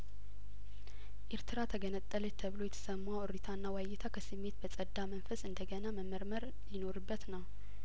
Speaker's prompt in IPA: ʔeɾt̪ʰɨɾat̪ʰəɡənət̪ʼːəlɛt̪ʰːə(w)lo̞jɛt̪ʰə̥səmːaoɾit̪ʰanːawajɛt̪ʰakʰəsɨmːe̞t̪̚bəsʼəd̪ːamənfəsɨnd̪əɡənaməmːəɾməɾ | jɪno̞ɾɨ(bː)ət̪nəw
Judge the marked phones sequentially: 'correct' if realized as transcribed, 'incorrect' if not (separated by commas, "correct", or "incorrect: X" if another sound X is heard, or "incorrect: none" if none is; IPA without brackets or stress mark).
incorrect: β, correct